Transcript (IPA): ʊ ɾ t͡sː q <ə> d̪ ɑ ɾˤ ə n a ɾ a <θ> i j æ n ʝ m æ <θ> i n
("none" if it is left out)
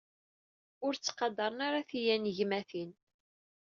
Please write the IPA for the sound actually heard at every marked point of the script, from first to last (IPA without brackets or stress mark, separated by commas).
ɑ, θ, θ